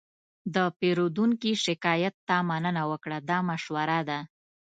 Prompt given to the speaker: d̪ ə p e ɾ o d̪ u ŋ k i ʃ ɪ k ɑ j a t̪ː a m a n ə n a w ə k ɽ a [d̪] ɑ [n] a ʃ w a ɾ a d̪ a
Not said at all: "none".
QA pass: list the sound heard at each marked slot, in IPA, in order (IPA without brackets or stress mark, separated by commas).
d̪, m